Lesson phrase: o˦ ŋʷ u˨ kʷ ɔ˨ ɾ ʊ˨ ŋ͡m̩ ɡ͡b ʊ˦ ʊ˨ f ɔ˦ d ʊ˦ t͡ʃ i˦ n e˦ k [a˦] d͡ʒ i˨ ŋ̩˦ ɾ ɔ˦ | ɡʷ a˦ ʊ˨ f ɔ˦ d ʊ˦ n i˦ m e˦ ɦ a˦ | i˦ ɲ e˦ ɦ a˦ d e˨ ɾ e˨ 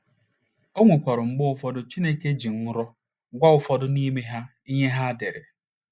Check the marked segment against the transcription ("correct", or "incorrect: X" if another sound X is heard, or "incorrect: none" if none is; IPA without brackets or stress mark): incorrect: e˦